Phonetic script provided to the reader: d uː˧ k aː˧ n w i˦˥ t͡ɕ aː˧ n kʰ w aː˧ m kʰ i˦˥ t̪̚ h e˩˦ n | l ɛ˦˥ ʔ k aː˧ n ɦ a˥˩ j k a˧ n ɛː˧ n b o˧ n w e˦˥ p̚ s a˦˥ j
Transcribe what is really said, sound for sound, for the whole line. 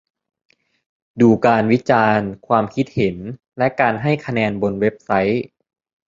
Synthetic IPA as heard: d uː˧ k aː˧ n w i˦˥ t͡ɕ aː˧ n kʰ w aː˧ m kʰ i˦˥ t̪̚ h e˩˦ n | l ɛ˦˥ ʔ k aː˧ n ɦ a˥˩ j kʰ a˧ n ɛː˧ n b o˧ n w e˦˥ p̚ s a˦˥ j